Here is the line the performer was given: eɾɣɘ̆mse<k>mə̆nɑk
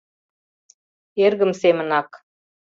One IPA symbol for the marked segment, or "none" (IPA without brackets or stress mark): none